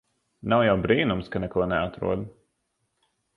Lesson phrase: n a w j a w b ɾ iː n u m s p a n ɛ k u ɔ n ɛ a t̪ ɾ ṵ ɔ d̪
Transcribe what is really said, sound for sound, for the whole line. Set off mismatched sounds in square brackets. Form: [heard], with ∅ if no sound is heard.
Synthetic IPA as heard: n a w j a w b ɾ iː n u m s [k] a n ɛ k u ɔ n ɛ a t̪ ɾ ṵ ɔ d̪